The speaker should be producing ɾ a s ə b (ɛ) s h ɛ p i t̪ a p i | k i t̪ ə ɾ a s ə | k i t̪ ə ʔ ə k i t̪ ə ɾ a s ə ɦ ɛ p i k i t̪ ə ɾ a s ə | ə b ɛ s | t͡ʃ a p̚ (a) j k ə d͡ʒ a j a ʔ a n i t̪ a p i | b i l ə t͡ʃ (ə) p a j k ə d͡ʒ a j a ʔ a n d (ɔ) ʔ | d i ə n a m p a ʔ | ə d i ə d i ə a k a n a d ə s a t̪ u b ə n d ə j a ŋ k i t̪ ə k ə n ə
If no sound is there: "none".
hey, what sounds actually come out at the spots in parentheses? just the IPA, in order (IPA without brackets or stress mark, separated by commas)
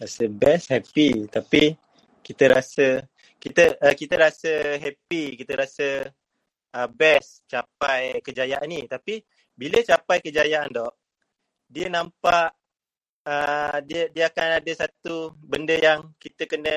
ɛ, a, a, ɔ